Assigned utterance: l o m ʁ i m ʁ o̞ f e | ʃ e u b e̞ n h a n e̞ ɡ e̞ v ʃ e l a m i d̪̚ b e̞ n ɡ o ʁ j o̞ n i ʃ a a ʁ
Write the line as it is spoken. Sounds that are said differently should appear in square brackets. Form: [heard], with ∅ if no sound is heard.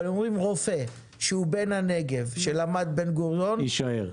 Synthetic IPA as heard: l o m ʁ i m ʁ o̞ f e | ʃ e u b e̞ n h a n e̞ ɡ e̞ v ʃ e l a m [a] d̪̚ b e̞ n ɡ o ʁ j o̞ n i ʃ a [e] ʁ